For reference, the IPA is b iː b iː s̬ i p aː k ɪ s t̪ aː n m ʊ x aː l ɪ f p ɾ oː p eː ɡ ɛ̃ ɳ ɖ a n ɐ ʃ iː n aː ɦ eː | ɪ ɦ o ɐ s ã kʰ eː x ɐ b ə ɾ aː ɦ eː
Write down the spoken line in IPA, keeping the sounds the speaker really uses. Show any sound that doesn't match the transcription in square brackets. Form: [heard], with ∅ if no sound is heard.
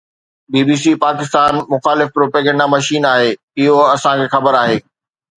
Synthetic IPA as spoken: b iː b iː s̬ i p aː k ɪ s t̪ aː n m ʊ x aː l ɪ f p ɾ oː p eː ɡ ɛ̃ ɳ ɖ a [m] ɐ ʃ iː n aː ɦ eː | ɪ ɦ o ɐ s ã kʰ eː x ɐ b ə ɾ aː ɦ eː